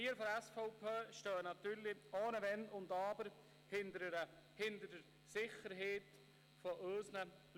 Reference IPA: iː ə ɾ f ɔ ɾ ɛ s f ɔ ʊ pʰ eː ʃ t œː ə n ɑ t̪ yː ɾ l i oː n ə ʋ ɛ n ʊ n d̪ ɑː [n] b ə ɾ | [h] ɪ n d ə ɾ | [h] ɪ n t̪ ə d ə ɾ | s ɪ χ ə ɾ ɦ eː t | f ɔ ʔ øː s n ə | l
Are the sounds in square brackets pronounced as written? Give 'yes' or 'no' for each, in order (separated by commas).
no, yes, yes